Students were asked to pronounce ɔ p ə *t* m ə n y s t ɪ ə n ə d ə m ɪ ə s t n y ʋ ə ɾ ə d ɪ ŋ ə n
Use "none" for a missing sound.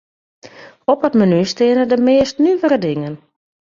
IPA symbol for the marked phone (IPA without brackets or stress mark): t